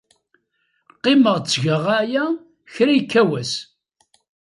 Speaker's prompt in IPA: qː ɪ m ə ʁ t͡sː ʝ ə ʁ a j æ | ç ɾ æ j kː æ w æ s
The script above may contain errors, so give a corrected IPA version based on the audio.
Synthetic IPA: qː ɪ m ə ʁ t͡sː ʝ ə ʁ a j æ | ç ɾ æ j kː æ w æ s